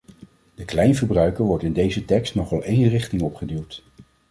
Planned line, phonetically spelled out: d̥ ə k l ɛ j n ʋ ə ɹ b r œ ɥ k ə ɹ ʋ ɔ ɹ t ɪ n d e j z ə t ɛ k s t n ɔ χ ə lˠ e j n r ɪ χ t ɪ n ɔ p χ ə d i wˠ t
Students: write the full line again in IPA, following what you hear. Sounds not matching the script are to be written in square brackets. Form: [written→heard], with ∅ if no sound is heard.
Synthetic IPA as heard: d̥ ə k l ɛ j n [ʋ→v] ə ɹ b r œ ɥ k ə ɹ ʋ ɔ ɹ t ɪ n d e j z ə t ɛ k s t n ɔ χ [ə→ɑ] lˠ e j n r ɪ χ t ɪ [n→ŋ] ɔ p χ ə d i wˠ t